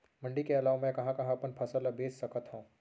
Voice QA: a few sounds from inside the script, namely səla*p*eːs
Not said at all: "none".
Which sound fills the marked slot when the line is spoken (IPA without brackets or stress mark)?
b